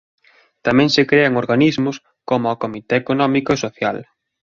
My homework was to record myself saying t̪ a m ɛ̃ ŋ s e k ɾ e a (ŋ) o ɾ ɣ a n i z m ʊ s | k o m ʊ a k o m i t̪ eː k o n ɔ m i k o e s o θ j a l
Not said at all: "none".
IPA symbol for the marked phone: ŋ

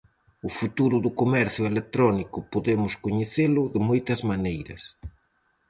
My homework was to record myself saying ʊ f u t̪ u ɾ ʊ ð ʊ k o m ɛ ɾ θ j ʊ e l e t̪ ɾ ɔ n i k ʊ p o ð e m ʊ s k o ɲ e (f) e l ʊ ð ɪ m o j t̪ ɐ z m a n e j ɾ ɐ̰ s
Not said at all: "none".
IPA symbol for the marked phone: θ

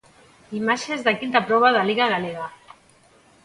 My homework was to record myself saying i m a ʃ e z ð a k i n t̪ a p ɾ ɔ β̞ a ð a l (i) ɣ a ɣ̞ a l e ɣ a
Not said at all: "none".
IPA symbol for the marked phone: i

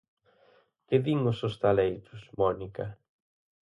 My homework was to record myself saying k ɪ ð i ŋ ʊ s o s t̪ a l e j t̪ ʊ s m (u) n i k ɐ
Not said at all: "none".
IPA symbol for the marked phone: ɔ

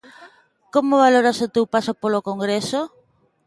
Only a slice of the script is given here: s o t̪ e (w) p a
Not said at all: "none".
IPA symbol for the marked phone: w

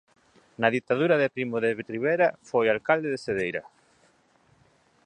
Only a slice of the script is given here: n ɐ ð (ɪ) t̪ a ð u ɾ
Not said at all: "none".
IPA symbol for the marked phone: i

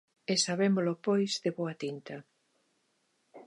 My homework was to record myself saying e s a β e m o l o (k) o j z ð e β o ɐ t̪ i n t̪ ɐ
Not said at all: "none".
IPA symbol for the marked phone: p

